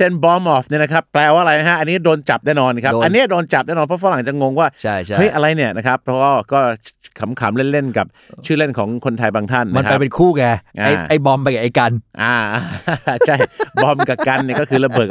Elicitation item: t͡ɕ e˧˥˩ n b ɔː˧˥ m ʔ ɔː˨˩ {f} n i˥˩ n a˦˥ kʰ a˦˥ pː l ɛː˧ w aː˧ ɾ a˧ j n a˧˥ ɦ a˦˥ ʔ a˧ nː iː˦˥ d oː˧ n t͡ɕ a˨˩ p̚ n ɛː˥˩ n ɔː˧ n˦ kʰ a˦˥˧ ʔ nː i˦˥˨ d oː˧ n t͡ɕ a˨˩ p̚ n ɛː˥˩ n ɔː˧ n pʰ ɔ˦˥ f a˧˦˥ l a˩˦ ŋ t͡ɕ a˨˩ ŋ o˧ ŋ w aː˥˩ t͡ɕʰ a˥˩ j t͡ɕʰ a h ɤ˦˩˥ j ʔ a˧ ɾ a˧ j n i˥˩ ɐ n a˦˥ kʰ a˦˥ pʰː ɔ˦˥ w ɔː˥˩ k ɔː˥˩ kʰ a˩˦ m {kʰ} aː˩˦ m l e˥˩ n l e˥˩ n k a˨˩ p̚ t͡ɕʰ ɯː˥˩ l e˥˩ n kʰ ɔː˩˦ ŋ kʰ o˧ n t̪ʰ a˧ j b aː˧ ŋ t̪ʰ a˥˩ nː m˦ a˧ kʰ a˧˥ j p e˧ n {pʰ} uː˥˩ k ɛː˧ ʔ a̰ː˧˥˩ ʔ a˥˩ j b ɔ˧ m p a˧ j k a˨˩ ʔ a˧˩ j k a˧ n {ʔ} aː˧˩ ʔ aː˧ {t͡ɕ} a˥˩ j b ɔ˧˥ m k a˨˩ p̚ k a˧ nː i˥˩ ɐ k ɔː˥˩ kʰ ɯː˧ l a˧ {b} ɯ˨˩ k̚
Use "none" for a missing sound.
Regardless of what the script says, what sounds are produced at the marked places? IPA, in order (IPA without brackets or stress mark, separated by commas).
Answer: f, kʰ, kʰ, ʔ, t͡ɕʰ, b